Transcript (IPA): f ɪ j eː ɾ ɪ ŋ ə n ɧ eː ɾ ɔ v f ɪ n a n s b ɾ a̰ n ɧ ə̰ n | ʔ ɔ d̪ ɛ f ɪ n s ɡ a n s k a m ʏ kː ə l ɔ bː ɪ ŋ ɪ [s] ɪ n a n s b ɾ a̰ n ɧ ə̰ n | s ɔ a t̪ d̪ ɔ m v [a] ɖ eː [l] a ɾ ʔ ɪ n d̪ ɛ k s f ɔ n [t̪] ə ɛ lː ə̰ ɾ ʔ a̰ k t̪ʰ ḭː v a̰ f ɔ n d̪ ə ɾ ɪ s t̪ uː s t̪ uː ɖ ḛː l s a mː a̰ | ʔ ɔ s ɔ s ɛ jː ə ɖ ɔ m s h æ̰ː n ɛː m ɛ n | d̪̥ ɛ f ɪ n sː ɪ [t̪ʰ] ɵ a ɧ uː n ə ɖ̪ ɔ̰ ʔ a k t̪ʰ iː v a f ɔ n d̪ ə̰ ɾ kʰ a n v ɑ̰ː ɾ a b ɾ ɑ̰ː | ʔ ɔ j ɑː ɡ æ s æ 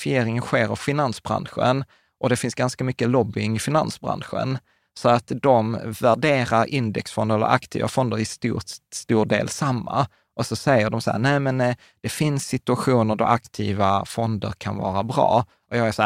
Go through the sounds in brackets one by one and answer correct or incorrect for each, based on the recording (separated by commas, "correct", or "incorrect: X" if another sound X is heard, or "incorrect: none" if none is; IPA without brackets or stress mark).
incorrect: f, incorrect: æ, incorrect: ɾ, incorrect: d̪, incorrect: t̪